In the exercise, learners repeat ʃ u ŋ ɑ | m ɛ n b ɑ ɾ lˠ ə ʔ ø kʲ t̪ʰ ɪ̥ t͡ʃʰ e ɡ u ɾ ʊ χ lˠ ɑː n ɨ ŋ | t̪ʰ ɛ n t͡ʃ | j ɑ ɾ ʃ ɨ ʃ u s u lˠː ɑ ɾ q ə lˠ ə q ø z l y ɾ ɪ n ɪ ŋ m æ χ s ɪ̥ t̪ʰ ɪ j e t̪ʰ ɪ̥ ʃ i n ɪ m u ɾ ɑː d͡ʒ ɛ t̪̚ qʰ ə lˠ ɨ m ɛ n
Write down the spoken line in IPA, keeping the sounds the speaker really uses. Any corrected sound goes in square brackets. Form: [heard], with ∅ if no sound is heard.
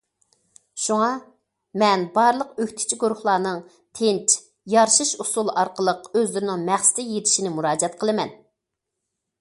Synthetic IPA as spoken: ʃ u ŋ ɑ | m ɛ n b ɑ ɾ lˠ ə [q] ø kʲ t̪ʰ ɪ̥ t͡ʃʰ [i] ɡ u ɾ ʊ χ lˠ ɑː n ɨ ŋ | t̪ʰ [e] n t͡ʃ | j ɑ ɾ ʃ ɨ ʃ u s u [lˠ] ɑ ɾ q ə lˠ ə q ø z l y ɾ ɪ n ɪ ŋ m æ χ s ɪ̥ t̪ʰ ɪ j e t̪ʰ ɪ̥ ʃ i n ɪ m u ɾ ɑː d͡ʒ ɛ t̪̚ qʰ ə lˠ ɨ m ɛ n